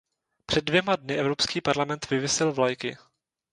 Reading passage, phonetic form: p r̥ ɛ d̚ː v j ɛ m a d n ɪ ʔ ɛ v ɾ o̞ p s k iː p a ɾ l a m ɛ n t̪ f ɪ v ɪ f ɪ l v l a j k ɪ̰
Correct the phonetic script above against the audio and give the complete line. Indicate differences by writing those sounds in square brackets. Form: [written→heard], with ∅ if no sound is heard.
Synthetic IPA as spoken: p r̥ ɛ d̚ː v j ɛ m a d n ɪ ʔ ɛ v ɾ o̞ p s k iː p a ɾ l a m ɛ n t̪ [f→v] ɪ v ɪ [f→s] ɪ l v l a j k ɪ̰